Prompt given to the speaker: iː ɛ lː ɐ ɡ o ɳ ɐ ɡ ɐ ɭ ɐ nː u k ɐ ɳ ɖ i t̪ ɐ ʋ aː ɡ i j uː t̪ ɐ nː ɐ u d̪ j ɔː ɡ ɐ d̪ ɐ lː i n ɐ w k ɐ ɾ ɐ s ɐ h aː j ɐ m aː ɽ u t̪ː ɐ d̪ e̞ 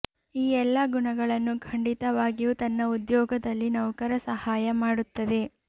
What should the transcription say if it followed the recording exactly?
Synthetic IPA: iː ɛ lː ɐ ɡ u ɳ ɐ ɡ ɐ ɭ ɐ nː u kʰ ɐ ɳ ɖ i t̪ ɐ ʋ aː ɡ i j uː t̪ ɐ nː ɐ u d̪ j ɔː ɡ ɐ d̪ ɐ lː i n ɐ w k ɐ ɾ ɐ s ɐ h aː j ɐ m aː ɽ u t̪ː ɐ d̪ e̞

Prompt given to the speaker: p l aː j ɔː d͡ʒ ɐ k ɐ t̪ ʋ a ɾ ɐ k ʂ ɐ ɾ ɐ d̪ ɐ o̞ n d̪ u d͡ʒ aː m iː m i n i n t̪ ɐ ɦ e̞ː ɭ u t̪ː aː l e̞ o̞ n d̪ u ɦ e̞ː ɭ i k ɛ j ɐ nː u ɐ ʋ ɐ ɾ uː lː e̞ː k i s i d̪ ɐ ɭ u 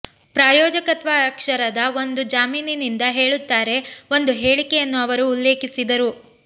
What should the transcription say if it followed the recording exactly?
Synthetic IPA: p ɾ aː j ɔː d͡ʒ ɐ k ɐ t̪ ʋ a ɾ ɐ k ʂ ɐ ɾ ɐ d̪ ɐ o̞ n d̪ u d͡ʒ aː m iː n i n i n d̪ ɐ ɦ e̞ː ɭ u t̪ː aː ɾ e̞ o̞ n d̪ u ɦ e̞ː ɭ i k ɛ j ɐ nː u ɐ ʋ ɐ ɾ uː lː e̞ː k i s i d̪ ɐ ɾ u

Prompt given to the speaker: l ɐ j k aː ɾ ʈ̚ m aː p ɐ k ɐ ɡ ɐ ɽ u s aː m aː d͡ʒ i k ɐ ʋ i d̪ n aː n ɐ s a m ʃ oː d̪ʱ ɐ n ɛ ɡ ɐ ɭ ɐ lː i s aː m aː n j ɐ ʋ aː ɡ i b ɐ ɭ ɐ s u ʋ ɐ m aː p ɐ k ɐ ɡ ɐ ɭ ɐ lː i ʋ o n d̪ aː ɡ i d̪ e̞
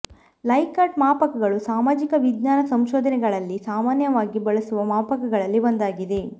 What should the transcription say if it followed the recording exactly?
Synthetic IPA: l ɐ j k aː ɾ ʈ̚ m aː p ɐ k ɐ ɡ ɐ ɭ u s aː m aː d͡ʒ i k ɐ ʋ i d̪ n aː n ɐ s ɐ m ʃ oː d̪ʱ ɐ n ɛ ɡ ɐ ɭ ɐ lː i s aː m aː n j ɐ ʋ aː ɡ i b ɐ ɭ ɐ s u ʋ ɐ m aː p ɐ k ɐ ɡ ɐ ɭ ɐ lː i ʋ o n d̪ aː ɡ i d̪ e̞

